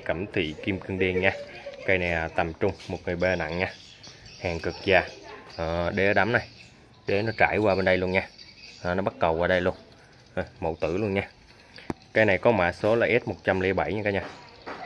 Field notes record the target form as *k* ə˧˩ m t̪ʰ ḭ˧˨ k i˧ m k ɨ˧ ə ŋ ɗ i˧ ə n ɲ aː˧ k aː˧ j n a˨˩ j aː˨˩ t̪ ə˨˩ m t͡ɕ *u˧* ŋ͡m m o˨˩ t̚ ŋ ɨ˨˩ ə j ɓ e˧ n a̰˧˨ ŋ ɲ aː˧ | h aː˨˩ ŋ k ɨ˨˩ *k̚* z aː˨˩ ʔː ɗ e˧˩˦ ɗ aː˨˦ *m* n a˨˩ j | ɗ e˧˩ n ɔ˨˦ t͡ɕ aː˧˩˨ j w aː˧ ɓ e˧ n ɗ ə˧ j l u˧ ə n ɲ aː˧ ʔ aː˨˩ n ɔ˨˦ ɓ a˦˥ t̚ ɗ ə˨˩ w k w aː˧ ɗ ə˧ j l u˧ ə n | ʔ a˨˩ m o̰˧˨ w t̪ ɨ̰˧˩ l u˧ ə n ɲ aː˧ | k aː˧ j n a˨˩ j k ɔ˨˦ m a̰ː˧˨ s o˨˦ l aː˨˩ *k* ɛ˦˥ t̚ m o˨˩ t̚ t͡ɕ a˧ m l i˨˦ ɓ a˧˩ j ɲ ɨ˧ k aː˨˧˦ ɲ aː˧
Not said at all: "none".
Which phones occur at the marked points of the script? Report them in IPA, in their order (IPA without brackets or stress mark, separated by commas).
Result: k, ʊ˧, k̚, m, ʔ